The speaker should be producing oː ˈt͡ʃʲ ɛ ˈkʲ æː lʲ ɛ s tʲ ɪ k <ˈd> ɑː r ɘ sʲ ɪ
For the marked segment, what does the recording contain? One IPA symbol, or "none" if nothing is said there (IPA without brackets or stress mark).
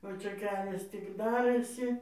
d